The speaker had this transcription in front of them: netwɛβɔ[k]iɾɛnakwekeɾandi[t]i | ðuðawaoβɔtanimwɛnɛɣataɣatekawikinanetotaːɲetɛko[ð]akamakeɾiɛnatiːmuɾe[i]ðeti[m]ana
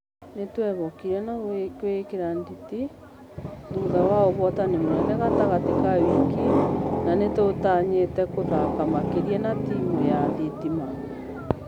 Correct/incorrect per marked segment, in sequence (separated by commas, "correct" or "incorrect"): correct, correct, correct, incorrect, correct